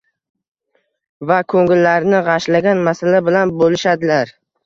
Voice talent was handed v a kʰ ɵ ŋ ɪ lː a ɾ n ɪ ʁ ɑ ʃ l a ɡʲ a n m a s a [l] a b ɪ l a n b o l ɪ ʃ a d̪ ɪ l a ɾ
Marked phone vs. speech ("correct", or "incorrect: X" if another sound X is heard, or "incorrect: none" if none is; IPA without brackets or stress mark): correct